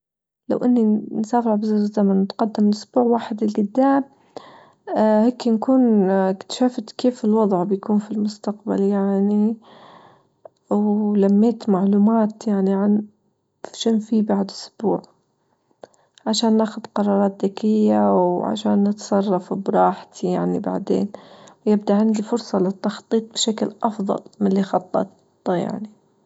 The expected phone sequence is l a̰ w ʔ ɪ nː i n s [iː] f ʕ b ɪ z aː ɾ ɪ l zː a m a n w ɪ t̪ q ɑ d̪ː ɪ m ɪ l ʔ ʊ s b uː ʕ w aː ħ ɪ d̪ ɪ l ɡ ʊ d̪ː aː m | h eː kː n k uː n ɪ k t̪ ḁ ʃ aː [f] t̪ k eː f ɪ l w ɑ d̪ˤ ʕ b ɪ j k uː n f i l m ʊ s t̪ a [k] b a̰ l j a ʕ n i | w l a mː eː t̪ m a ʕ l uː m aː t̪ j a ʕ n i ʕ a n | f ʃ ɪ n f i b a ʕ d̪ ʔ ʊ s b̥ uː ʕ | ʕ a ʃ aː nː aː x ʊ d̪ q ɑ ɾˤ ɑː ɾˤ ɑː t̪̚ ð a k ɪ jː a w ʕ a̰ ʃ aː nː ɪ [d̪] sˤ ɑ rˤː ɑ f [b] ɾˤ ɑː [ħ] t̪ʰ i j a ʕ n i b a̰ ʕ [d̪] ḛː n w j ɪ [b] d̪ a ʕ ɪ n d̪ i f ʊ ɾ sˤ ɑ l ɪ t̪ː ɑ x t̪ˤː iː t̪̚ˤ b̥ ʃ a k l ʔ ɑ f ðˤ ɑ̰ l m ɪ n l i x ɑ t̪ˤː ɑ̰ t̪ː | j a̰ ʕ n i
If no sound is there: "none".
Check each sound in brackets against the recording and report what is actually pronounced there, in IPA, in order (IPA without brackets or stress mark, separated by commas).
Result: aː, f, q, t̪, b, ħ, d̪, b